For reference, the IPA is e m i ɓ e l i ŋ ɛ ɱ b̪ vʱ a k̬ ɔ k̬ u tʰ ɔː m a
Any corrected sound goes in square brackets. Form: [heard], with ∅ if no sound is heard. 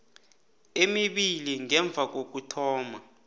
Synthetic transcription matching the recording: e m i ɓ [i] l i ŋ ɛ ɱ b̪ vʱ a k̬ [o] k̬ u tʰ ɔː m a

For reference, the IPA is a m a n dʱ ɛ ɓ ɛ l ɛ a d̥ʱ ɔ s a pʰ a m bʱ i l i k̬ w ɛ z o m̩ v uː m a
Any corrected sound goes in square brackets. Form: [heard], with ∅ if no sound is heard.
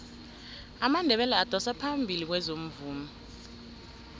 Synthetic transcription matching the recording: a m a n dʱ ɛ ɓ ɛ l ɛ a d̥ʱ ɔ s a pʰ a m bʱ i l i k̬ w ɛ z o m̩ v uː m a

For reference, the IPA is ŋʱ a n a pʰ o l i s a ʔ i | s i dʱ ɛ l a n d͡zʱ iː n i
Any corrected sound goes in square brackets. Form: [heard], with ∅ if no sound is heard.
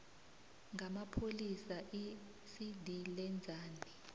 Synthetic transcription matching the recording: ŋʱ a [m] a pʰ o l i s a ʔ i | s i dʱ [i] l [ɛ] n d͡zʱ [aː] n i

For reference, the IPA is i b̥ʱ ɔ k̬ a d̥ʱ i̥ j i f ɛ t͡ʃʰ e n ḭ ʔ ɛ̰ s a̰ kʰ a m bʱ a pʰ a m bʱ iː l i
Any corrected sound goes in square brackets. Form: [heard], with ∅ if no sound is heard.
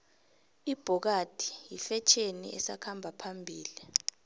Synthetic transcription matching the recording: i b̥ʱ ɔ k̬ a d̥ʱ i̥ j i f ɛ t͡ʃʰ e n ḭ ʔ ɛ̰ s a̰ kʰ a m bʱ a pʰ a m bʱ iː l i

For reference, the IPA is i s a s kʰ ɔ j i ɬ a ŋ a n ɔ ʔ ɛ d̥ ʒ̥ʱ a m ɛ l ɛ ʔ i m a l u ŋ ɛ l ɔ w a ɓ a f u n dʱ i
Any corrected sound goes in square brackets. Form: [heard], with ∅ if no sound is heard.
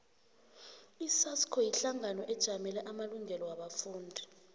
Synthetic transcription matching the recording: i s a s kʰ ɔ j i ɬ a ŋ a n ɔ ʔ ɛ d̥ ʒ̥ʱ a m ɛ l ɛ ʔ [a] m a l u ŋ ɛ l ɔ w a ɓ a f [uː] n dʱ i

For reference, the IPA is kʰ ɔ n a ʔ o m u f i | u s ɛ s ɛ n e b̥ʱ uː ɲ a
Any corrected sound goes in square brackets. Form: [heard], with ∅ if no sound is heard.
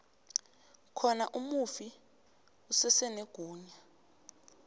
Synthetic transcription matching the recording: kʰ ɔ n a ʔ [u] m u f i | u s ɛ s ɛ n e [ɡ̥ʱ] uː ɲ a

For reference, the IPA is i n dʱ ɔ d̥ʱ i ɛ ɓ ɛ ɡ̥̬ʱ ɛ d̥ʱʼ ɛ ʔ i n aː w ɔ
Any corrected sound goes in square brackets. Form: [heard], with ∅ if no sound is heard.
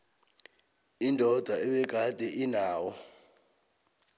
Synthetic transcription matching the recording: i n dʱ ɔ d̥ʱ [a] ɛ ɓ ɛ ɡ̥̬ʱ [a] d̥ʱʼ ɛ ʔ i n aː w ɔ

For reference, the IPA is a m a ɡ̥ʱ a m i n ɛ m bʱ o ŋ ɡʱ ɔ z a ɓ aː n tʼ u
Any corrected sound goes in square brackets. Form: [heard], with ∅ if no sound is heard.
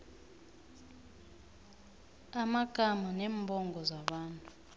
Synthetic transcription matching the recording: a m a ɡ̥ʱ a m [a] n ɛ m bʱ [ɔ] ŋ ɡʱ ɔ z a ɓ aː n tʼ u

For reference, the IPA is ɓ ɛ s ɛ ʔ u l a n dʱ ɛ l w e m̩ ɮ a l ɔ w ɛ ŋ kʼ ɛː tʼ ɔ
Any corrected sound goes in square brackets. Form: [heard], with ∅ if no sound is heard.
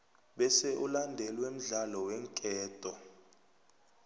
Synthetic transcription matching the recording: ɓ ɛ s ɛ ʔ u l a n dʱ ɛ l w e m̩ ɮ a l ɔ w ɛ ŋ kʼ ɛː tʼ ɔ

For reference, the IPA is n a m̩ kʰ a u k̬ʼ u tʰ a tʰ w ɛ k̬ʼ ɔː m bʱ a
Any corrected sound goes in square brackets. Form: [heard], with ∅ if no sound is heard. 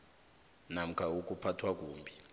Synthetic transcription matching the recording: n a m̩ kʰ a u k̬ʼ u [pʰ] a tʰ w [a] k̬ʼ [uː] m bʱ [i]

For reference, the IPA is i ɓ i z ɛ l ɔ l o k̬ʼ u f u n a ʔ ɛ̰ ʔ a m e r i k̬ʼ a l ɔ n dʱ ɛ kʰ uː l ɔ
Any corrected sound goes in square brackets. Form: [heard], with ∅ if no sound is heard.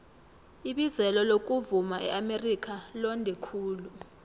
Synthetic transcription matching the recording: i ɓ i z ɛ l ɔ l o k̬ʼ u [v] u [m] a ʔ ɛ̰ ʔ a m e r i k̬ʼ a l ɔ n dʱ ɛ kʰ uː l [u]

